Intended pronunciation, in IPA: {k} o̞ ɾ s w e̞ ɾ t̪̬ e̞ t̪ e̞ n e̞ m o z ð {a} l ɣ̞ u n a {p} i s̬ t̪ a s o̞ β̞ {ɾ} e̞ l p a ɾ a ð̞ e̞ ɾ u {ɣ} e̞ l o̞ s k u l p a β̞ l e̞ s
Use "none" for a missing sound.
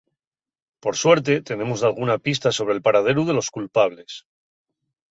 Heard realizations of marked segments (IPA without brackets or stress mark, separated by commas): p, a, p, ɾ, ð